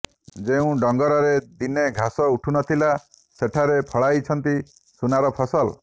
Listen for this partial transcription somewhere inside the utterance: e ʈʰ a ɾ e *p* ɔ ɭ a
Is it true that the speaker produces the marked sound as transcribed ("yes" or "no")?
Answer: no